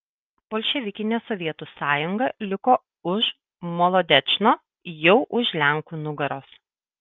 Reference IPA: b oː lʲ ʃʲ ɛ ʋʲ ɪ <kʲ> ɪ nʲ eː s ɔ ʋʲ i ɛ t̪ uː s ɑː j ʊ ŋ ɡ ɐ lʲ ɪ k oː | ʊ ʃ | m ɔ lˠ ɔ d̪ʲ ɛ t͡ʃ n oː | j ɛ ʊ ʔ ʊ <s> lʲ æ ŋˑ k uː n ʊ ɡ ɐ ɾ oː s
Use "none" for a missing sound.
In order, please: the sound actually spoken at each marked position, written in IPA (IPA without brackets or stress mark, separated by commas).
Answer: kʲ, ʃ